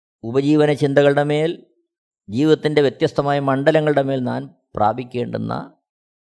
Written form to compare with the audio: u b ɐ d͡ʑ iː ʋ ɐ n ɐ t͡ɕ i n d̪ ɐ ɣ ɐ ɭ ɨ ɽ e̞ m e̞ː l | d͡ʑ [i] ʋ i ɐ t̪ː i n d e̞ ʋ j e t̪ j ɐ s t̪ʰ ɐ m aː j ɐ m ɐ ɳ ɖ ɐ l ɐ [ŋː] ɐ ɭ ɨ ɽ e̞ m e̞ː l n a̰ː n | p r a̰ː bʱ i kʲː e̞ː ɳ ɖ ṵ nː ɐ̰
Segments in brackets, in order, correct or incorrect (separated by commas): incorrect, correct